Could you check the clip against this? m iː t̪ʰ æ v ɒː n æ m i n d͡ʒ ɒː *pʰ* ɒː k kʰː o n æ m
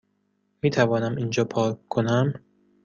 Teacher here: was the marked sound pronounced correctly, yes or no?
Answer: yes